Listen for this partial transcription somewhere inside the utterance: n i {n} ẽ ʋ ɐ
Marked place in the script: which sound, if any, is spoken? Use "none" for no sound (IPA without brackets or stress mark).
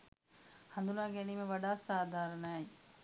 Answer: m